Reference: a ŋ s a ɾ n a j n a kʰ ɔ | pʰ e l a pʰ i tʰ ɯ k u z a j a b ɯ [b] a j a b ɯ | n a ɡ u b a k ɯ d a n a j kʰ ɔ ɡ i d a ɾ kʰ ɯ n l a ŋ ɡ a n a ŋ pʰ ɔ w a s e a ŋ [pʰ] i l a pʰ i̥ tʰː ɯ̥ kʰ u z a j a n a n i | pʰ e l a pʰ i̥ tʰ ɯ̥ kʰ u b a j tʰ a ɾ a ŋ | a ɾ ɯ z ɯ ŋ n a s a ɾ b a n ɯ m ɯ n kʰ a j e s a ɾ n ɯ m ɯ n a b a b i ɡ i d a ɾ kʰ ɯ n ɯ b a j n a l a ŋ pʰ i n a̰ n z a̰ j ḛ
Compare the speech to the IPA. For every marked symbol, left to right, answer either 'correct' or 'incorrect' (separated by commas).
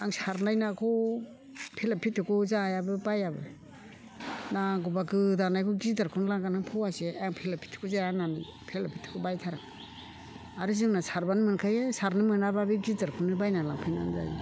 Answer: correct, correct